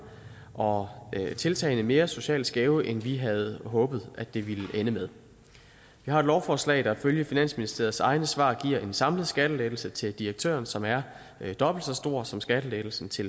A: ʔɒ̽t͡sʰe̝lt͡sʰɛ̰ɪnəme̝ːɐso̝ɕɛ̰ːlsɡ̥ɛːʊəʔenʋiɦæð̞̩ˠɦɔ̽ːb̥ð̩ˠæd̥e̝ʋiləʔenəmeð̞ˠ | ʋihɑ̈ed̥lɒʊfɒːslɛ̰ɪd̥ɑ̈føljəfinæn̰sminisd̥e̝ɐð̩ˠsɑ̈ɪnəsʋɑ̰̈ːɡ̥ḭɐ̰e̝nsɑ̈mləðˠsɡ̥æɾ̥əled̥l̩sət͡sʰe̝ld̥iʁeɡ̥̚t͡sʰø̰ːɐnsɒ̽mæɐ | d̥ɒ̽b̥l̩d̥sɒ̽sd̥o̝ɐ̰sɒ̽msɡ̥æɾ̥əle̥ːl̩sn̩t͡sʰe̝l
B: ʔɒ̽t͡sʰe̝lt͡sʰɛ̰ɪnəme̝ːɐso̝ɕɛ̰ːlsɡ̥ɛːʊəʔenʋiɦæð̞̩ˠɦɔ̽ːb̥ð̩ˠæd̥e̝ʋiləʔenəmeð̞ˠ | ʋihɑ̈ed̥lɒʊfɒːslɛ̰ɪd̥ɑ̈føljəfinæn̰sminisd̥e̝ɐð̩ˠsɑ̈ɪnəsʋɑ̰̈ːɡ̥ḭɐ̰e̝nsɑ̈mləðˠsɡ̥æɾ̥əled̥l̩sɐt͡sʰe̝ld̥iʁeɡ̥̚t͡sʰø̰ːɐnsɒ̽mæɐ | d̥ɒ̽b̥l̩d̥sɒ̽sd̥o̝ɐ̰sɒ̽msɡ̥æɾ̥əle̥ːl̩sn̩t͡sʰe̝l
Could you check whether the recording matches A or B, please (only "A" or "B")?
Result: A